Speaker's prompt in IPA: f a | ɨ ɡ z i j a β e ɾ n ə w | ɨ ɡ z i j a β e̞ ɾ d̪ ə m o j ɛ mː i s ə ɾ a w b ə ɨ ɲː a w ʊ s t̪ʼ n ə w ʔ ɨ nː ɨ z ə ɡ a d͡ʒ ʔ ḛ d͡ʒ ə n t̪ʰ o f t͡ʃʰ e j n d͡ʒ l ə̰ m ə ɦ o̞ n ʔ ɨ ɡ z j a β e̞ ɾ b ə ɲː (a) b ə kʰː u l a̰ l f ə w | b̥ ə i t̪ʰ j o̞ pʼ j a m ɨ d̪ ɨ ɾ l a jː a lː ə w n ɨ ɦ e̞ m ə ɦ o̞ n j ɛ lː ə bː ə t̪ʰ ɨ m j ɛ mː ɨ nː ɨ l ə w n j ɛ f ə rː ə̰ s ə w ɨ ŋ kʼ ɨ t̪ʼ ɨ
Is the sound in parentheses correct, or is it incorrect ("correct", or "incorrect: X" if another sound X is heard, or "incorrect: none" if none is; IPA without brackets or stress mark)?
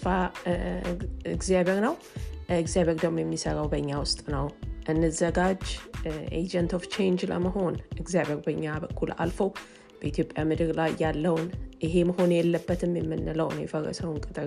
correct